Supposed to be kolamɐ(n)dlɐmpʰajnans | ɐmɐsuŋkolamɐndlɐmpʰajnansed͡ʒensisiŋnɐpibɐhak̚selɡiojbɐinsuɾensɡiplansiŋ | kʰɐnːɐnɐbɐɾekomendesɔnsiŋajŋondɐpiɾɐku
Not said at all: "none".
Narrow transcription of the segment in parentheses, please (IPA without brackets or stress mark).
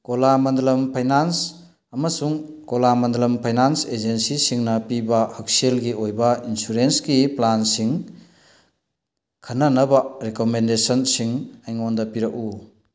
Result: n